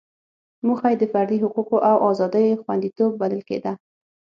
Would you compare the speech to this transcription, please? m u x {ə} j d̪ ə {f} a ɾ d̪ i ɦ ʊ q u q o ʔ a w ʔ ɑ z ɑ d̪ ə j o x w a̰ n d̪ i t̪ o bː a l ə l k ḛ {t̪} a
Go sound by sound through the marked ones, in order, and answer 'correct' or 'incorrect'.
incorrect, correct, incorrect

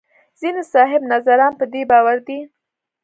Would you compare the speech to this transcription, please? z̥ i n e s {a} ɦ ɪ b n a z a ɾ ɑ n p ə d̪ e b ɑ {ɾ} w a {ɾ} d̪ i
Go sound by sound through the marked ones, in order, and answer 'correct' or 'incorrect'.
incorrect, incorrect, correct

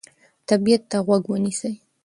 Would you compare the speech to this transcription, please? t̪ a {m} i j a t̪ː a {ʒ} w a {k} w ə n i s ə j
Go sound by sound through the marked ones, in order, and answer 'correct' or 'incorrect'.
incorrect, incorrect, incorrect

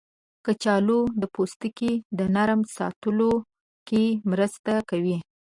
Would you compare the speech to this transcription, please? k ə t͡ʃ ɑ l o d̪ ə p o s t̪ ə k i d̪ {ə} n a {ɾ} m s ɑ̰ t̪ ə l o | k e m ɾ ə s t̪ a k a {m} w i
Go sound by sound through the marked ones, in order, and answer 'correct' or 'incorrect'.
correct, correct, incorrect

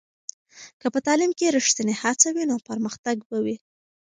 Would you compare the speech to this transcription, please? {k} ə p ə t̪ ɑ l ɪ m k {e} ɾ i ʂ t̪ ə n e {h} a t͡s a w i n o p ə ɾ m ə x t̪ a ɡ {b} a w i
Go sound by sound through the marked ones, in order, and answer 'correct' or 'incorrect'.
correct, correct, correct, correct

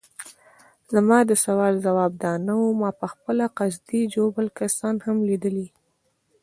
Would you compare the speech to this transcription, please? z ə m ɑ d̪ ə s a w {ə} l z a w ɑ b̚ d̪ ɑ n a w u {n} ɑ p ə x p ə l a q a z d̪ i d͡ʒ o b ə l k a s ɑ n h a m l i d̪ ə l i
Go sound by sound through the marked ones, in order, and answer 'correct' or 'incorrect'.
incorrect, incorrect

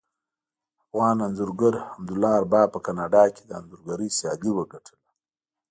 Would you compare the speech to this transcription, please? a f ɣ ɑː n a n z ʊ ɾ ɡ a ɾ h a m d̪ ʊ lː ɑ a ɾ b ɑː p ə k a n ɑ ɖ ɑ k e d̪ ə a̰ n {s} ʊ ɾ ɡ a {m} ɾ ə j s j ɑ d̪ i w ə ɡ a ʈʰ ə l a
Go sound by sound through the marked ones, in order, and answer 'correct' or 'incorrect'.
incorrect, incorrect

